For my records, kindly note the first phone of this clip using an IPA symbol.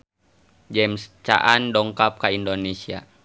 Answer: d͡ʒ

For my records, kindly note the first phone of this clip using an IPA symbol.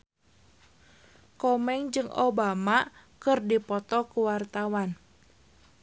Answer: k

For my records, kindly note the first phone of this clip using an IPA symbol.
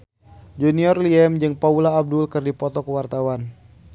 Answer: d͡ʒ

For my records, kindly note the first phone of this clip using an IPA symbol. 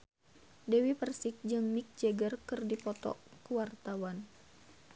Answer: d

